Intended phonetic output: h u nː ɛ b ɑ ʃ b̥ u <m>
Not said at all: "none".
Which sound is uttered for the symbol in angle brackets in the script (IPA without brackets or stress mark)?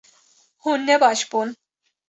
n